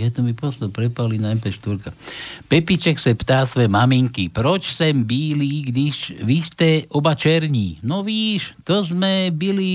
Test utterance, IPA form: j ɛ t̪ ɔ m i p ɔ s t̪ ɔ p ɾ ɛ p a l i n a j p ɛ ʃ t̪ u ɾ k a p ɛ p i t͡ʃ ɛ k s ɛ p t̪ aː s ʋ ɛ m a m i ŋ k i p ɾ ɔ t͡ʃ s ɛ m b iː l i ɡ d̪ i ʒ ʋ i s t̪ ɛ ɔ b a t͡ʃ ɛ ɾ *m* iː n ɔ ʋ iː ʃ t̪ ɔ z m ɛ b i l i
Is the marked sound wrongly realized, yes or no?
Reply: yes